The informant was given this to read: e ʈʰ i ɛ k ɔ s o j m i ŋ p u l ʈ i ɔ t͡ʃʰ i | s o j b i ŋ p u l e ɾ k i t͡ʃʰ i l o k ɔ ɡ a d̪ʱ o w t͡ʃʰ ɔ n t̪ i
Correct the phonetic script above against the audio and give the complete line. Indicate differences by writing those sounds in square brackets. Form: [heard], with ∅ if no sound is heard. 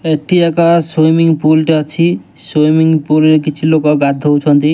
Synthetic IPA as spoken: e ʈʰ i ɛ k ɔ s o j m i ŋ p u l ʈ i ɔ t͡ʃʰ i | s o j [m] i ŋ p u l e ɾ k i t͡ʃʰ i l o k ɔ ɡ a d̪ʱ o w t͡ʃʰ ɔ n t̪ i